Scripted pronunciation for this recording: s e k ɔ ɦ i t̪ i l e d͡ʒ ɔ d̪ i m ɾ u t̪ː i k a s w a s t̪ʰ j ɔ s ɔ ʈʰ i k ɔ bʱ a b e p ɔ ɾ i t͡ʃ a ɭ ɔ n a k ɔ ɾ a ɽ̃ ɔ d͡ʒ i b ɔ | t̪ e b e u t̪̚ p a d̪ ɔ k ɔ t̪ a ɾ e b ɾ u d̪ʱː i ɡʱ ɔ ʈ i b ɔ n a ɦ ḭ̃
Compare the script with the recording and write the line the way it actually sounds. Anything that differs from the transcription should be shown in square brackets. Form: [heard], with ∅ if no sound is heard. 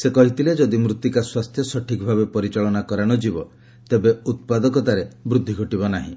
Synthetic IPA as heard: s e k ɔ ɦ i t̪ i l e d͡ʒ ɔ d̪ i m ɾ u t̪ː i k a s w a s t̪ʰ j ɔ s ɔ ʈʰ i k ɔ bʱ a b e p ɔ ɾ i t͡ʃ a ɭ ɔ n a k ɔ ɾ a ɽ̃ ɔ d͡ʒ i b ɔ | t̪ e b e u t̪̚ p a d̪ ɔ k ɔ t̪ a ɾ e b ɾ u d̪ʱː i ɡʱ ɔ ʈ i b ɔ n a ɦ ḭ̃

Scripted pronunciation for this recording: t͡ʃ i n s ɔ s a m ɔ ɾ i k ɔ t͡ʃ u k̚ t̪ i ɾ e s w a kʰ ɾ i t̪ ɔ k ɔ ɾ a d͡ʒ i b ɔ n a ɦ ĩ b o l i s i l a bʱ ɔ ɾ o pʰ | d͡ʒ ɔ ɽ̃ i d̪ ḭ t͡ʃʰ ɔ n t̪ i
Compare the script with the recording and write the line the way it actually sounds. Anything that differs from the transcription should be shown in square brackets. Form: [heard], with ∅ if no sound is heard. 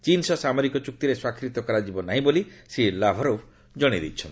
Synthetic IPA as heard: t͡ʃ i n s ɔ s a m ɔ ɾ i k ɔ t͡ʃ u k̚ t̪ i ɾ e s w a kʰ ɾ i t̪ ɔ k ɔ ɾ a d͡ʒ i b ɔ n a ɦ ĩ b o l i s i l a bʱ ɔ ɾ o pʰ | d͡ʒ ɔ ɽ̃ i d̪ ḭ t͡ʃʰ ɔ n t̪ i

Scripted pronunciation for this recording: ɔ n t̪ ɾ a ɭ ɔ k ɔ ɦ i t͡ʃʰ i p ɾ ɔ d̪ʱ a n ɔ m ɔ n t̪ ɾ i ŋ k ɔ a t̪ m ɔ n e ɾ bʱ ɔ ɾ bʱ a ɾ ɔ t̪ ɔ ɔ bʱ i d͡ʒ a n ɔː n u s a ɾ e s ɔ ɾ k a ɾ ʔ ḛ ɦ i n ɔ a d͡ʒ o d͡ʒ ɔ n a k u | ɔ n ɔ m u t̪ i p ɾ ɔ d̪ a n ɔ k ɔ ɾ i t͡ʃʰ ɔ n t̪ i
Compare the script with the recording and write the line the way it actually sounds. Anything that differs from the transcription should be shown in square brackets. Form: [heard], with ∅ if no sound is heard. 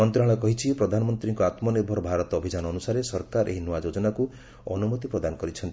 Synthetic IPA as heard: ɔ n t̪ ɾ a ɭ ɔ k ɔ ɦ i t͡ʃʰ i p ɾ ɔ d̪ʱ a n ɔ m ɔ n t̪ ɾ i ŋ k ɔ a t̪ m ɔ n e ɾ bʱ ɔ ɾ bʱ a ɾ ɔ t̪ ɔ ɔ bʱ i d͡ʒ a n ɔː n u s a ɾ e s ɔ ɾ k a ɾ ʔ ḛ ɦ i n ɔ a d͡ʒ o d͡ʒ ɔ n a k u | ɔ n [u] m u t̪ i p ɾ ɔ d̪ a n ɔ k ɔ ɾ i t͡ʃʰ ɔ n t̪ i

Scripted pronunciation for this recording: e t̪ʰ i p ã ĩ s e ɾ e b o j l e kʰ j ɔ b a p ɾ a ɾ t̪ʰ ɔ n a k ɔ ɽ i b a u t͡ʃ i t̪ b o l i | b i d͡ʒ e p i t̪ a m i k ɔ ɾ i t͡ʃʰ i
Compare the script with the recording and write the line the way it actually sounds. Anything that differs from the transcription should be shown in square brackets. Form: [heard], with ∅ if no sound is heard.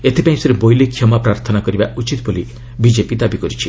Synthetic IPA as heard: e t̪ʰ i p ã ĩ s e ɾ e b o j l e kʰ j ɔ [m] a p ɾ a ɾ t̪ʰ ɔ n a k ɔ [ɾ] i b a u t͡ʃ i t̪ b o l i | b i d͡ʒ e p i [d̪] a [b] i k ɔ ɾ i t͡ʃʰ i

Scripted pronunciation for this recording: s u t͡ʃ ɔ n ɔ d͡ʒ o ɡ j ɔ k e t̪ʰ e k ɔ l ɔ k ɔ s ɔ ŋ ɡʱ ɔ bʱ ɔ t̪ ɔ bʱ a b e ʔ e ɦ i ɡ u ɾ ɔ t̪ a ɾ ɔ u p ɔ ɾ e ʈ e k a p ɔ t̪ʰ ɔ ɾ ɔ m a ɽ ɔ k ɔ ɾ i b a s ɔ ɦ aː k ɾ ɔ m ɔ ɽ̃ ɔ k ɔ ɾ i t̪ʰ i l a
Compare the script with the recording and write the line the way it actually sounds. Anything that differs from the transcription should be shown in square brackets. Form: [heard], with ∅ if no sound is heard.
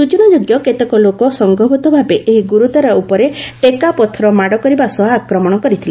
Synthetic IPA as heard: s u t͡ʃ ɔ n ɔ d͡ʒ o ɡ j ɔ k e [t̪] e k ɔ l [o] k ɔ s ɔ ŋ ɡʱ ɔ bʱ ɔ t̪ ɔ bʱ a b e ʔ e ɦ i ɡ u ɾ [u] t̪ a ɾ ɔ u p ɔ ɾ e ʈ e k a p ɔ t̪ʰ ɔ ɾ ɔ m a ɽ ɔ k ɔ ɾ i b a s ɔ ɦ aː k ɾ ɔ m ɔ ɽ̃ ɔ k ɔ ɾ i t̪ʰ i l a

